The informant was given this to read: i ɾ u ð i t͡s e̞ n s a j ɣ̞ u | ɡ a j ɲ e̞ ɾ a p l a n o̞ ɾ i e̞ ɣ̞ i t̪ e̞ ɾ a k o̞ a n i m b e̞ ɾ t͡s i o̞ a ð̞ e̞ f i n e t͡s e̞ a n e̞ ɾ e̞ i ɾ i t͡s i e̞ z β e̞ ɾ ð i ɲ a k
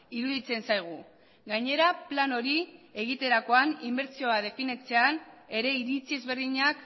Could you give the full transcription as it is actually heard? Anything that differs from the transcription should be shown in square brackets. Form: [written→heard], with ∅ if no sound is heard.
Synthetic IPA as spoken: i ɾ u ð i t͡s e̞ n s a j ɣ̞ u | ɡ a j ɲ e̞ ɾ a p l a n o̞ ɾ i e̞ ɣ̞ i t̪ e̞ ɾ a k o̞ a n i m b e̞ ɾ t͡s i o̞ a ð̞ e̞ f i n e t͡s e̞ a n e̞ ɾ e̞ i ɾ i t͡s i e̞ z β e̞ ɾ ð i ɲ a k